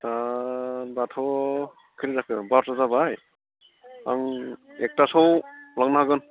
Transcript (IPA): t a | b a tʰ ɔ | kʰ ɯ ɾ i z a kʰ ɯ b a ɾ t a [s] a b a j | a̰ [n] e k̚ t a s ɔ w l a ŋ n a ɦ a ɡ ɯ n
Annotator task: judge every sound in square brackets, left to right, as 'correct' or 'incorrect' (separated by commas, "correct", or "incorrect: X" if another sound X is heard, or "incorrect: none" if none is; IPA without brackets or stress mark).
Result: incorrect: z, incorrect: ŋ